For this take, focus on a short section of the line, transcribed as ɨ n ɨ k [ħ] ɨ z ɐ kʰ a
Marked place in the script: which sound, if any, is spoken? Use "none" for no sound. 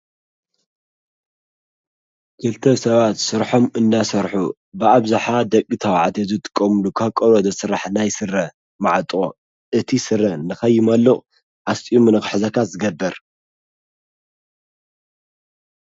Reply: ħ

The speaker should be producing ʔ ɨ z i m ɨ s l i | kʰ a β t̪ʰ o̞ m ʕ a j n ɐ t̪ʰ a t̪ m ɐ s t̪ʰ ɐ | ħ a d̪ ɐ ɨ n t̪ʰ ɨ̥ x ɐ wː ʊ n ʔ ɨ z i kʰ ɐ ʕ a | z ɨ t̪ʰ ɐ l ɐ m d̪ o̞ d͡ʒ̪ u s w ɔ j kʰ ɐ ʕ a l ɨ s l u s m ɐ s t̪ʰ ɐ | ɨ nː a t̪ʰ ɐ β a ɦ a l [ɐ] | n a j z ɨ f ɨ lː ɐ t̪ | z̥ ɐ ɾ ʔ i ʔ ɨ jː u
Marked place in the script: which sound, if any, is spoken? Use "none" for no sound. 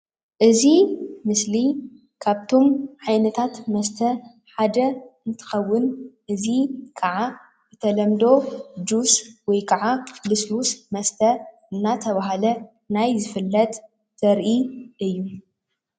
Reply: ɐ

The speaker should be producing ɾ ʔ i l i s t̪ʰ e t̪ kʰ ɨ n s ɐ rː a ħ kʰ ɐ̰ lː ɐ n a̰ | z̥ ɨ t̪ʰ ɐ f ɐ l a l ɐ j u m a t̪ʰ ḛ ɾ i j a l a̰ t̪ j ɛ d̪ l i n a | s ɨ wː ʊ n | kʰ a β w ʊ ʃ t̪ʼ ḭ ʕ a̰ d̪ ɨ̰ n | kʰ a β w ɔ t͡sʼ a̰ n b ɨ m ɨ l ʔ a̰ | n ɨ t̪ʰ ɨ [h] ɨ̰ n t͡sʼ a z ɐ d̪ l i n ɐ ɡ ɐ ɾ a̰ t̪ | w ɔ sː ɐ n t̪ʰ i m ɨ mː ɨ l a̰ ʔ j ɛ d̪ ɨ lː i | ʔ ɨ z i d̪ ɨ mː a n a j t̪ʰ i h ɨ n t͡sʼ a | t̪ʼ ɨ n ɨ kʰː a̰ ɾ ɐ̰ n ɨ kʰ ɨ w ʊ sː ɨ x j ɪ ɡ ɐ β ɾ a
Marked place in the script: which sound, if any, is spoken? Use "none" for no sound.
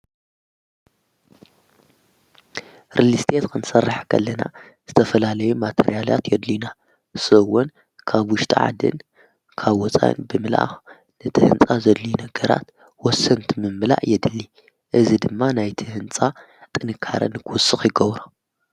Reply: h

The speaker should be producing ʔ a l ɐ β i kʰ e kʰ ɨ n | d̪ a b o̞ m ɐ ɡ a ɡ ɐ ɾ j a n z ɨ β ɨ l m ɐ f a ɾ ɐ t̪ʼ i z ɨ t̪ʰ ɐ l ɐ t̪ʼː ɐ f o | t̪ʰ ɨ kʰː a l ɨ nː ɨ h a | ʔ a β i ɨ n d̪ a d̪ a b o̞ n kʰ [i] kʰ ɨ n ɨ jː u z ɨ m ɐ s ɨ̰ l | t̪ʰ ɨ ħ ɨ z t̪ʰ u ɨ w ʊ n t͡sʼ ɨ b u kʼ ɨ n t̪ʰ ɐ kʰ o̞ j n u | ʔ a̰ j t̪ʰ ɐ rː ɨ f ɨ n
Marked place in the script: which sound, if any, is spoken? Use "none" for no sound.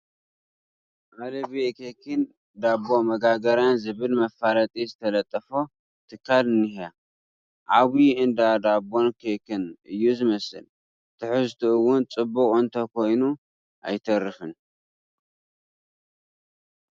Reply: e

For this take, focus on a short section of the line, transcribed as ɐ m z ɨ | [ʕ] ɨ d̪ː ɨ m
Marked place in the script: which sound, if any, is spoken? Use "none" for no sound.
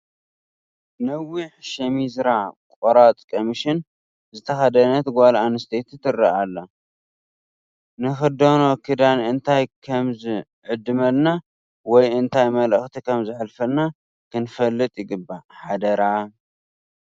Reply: ʕ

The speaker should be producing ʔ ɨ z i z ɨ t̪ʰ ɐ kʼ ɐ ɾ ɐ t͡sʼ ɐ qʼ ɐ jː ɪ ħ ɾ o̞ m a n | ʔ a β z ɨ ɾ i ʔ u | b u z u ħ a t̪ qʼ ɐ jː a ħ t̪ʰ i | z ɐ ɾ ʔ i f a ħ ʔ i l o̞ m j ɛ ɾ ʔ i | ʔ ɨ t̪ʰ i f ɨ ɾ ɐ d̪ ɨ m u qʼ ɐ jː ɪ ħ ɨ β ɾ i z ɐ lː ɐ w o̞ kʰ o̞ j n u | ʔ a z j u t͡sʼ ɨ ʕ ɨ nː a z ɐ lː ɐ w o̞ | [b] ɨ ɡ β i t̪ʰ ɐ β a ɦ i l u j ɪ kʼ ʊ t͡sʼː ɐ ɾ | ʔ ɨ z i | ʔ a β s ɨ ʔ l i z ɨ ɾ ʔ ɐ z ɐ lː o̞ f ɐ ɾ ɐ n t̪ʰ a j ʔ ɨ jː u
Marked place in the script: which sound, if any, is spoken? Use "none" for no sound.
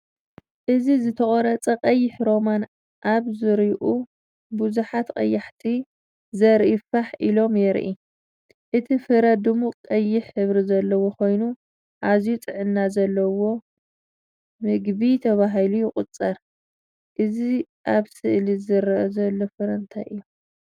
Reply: m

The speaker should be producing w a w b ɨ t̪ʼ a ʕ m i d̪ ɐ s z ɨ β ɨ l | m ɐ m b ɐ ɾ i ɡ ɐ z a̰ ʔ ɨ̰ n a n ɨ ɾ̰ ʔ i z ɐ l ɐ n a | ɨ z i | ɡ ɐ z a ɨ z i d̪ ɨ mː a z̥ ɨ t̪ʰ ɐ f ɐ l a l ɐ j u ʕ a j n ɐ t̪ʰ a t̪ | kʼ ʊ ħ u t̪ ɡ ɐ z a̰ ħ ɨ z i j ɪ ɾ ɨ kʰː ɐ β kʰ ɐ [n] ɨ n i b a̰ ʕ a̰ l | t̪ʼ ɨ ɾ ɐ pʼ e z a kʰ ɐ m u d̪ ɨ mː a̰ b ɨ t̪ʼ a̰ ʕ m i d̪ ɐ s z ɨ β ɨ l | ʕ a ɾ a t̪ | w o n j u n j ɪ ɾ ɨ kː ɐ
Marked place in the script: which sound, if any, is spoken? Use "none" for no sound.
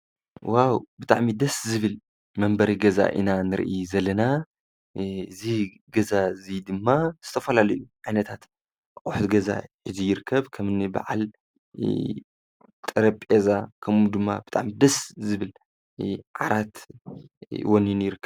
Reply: m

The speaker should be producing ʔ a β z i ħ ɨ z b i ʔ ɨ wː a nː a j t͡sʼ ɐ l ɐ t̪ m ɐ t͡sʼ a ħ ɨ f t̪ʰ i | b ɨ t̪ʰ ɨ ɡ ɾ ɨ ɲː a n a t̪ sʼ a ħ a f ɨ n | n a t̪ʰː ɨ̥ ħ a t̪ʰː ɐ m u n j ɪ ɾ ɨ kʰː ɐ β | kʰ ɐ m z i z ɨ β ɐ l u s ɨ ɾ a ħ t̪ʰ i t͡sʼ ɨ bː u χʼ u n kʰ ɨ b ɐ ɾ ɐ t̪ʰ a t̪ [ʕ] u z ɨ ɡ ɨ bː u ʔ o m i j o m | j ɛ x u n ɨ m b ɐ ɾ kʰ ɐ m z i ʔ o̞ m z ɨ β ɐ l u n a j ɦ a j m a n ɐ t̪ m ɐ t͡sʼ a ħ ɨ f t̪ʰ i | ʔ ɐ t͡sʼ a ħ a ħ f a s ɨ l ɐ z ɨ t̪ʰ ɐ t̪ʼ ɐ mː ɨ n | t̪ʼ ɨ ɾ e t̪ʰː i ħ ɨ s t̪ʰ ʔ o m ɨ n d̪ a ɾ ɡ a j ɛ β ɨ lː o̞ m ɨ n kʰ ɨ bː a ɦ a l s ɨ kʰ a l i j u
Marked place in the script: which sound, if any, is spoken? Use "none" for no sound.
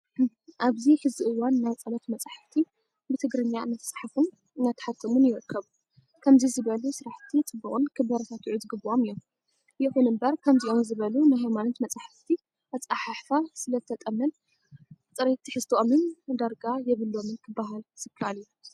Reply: ʕ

